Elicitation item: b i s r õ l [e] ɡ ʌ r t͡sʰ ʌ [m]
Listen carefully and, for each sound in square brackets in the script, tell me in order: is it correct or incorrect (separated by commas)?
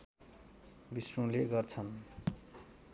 correct, incorrect